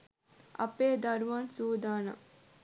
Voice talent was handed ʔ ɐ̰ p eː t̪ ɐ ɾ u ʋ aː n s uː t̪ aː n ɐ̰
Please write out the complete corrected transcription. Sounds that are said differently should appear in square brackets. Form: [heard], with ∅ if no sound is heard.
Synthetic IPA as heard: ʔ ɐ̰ p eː [d̪] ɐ ɾ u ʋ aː n s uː [d̪] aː n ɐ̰